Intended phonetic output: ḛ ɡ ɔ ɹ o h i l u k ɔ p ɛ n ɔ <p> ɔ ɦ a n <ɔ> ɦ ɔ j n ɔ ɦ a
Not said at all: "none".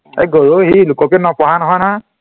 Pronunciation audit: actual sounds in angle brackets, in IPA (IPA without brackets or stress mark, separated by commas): p, ɔ